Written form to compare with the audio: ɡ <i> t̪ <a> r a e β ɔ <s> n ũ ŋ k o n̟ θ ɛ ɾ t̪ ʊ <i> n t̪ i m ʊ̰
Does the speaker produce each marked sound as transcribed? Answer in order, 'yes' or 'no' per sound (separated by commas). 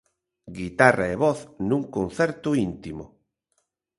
yes, yes, no, yes